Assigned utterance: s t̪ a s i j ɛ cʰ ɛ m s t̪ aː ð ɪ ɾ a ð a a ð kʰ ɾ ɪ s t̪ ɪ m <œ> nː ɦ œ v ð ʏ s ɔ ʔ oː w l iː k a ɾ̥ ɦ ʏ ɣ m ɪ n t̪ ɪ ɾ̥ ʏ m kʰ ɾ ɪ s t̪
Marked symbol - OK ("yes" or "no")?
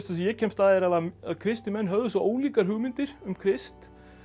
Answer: no